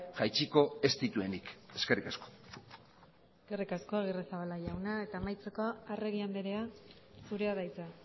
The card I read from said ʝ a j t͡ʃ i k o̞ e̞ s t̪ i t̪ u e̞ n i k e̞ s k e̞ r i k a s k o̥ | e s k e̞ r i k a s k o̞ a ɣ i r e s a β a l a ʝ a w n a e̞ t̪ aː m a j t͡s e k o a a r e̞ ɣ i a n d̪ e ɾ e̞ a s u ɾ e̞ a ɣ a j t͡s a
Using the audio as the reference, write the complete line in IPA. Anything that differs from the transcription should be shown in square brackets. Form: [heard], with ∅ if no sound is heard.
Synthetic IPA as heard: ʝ a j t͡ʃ i k o̞ e̞ s t̪ i t̪ u e̞ n i k e̞ s k e̞ r i k a s k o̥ | e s k e̞ r i k a s k o̞ a ɣ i r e s a β a l a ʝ a w n a e̞ t̪ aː m a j t͡s e k o a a r e̞ ɣ i a n d̪ e ɾ e̞ a s u ɾ e̞ a [ð] a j t͡s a